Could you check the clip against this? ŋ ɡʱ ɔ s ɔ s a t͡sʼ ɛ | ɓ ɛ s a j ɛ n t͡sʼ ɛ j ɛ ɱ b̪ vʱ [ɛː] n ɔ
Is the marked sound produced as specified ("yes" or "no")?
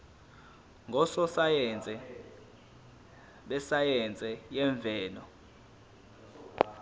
yes